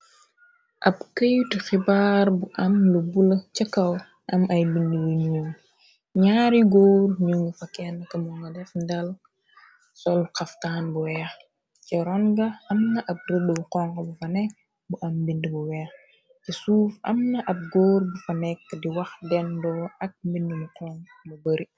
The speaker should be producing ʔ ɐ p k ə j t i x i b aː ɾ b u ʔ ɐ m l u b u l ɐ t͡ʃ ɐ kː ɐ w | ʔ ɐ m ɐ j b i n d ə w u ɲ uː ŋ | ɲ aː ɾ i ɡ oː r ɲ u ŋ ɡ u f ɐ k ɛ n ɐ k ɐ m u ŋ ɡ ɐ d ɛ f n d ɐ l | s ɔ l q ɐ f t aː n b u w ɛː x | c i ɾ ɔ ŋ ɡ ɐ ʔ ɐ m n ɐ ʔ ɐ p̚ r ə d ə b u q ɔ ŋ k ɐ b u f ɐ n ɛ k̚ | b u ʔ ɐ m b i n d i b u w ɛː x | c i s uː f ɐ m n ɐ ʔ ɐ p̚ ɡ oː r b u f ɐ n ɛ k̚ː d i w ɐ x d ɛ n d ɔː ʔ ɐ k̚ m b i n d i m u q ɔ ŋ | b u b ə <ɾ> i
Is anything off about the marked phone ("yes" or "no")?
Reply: no